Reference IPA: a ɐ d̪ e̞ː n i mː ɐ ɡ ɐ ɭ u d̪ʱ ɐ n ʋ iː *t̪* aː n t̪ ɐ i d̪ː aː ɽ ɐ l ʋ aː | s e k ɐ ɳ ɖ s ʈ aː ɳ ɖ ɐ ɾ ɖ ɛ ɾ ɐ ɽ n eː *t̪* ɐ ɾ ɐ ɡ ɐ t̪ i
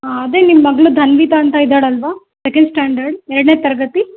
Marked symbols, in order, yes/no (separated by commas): yes, yes